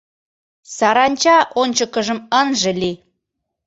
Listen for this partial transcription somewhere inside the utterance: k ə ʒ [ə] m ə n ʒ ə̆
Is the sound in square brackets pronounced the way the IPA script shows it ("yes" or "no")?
yes